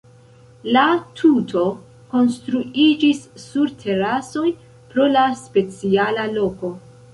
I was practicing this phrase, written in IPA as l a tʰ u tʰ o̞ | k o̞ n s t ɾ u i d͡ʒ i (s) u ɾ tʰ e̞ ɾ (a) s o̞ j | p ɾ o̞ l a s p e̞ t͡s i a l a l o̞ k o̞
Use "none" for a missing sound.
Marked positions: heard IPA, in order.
sː, a

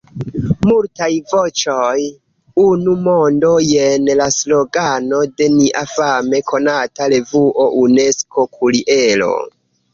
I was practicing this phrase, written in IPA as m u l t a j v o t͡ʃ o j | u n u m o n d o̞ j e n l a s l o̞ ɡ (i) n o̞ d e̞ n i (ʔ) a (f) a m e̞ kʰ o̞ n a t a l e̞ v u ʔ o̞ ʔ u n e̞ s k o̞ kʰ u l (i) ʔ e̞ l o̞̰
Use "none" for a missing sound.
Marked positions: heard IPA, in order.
a, ʔ, f, i

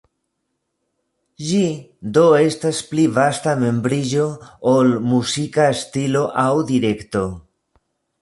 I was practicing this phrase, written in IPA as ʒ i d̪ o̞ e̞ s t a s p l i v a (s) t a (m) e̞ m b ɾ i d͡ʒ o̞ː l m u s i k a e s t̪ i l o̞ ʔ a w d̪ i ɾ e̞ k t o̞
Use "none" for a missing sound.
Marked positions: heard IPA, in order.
s, m

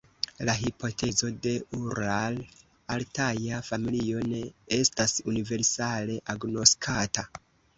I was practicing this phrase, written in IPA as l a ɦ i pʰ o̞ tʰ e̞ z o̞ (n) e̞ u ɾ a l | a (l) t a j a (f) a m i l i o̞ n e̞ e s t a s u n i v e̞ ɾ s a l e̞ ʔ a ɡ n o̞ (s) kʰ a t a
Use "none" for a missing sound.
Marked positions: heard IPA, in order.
d, l, f, s

